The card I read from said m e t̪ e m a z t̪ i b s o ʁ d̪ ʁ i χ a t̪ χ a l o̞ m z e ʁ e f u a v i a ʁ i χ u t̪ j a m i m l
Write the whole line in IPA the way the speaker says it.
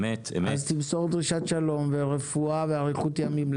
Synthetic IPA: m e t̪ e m a z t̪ i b s o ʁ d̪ ʁ i ʃ a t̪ ʃ a l o̞ m v e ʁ e f u a v e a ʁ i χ u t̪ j a m i m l